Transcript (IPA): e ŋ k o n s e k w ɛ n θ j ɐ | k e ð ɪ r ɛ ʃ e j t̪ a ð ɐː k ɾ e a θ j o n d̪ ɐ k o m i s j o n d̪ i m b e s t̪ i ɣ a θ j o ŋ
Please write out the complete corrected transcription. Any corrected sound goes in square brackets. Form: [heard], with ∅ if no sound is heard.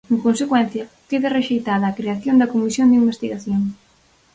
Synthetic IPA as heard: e ŋ k o n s e k w ɛ n θ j ɐ | k e ð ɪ r [e] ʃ e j t̪ a ð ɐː k ɾ e a θ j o n d̪ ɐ k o m i s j o n d̪ i m b e s t̪ i ɣ a θ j o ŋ